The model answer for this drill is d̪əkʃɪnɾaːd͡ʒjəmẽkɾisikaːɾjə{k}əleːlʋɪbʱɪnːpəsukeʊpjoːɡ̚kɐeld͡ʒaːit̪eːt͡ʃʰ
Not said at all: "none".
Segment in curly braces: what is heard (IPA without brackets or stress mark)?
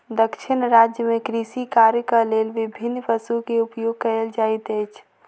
k